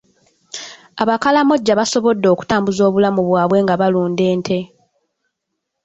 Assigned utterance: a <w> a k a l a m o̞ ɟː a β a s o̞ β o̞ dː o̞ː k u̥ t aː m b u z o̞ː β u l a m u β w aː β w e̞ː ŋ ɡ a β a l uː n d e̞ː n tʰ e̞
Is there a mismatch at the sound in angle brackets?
yes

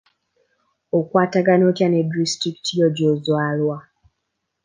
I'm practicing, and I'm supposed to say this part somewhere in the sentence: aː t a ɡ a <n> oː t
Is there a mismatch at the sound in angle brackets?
no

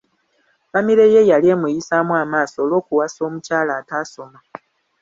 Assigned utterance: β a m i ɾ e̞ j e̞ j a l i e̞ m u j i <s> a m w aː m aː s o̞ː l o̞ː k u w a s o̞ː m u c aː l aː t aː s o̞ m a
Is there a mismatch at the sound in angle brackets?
no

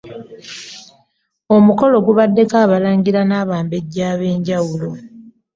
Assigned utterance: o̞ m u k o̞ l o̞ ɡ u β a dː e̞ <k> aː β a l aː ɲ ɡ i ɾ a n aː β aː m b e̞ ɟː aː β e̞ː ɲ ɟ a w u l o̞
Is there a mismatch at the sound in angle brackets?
no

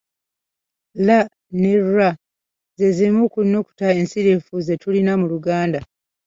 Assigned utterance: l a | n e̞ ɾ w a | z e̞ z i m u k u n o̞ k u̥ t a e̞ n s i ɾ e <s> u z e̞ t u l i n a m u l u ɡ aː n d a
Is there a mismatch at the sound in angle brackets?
yes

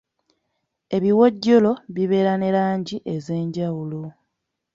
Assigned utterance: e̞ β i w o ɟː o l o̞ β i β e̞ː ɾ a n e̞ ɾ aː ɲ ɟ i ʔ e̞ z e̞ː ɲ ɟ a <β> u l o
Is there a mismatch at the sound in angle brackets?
yes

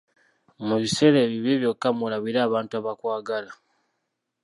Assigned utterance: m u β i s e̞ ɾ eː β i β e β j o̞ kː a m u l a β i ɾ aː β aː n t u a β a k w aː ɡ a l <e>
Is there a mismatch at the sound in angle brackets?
yes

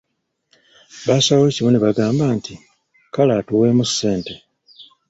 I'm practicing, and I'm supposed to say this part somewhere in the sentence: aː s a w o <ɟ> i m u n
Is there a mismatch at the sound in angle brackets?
yes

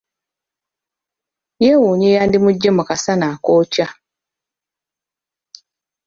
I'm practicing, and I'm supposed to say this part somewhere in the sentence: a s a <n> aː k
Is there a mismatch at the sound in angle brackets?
no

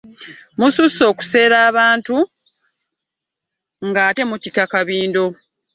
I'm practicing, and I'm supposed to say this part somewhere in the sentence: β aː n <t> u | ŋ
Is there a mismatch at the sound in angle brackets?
no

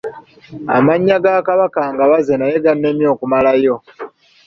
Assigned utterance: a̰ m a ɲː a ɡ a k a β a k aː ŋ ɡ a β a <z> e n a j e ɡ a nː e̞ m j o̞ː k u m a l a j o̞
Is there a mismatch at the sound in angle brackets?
no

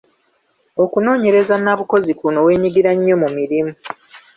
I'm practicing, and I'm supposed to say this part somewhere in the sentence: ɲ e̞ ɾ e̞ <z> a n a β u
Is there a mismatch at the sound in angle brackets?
no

